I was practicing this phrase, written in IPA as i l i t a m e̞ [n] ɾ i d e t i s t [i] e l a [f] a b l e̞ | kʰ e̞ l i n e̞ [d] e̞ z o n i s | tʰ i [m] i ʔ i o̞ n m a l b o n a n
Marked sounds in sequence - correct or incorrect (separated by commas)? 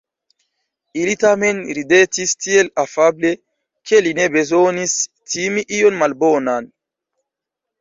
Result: correct, correct, correct, incorrect, correct